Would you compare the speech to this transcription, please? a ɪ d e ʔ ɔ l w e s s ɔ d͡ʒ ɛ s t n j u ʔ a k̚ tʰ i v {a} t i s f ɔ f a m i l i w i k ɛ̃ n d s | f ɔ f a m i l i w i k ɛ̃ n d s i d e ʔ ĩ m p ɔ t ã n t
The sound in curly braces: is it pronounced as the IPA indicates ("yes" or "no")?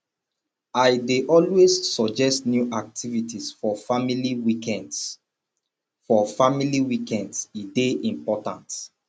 no